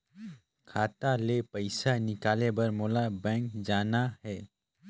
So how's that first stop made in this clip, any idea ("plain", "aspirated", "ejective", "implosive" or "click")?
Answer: aspirated